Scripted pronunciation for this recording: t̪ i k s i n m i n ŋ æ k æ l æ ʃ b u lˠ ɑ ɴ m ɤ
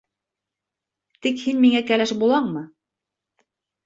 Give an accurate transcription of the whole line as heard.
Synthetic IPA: t̪ i k h i n m i ŋ æ k æ l æ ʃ b u lˠ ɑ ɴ m ɤ